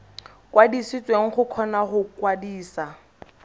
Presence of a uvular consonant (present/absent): present